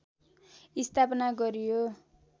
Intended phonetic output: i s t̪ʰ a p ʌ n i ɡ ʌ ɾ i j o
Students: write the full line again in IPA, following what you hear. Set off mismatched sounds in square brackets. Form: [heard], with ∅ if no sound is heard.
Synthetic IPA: i s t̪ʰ a p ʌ n [a] ɡ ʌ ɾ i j o

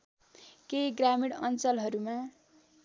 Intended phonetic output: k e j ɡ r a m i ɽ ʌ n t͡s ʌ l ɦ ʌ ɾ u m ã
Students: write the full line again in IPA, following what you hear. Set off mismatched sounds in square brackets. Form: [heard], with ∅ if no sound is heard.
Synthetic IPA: k e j ɡ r a m i ɽ ʌ n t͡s ʌ l ɦ ʌ ɾ u m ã

